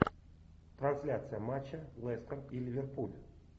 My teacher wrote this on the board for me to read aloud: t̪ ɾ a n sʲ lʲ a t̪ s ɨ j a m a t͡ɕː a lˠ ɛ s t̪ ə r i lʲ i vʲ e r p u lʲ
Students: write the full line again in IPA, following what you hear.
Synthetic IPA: t̪ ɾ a n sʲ lʲ a t̪ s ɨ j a m a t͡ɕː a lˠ ɛ s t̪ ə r i lʲ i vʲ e r p u lʲ